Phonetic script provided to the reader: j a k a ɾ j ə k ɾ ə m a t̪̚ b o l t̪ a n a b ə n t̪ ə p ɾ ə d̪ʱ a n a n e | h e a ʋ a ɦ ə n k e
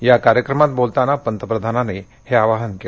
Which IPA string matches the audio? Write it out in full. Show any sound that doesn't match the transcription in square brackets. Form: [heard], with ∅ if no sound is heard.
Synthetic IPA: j a k a ɾ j ə k ɾ ə m a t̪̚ b o l t̪ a n a [p] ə n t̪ ə p ɾ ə d̪ʱ a n a n e | h e a ʋ a ɦ ə n k e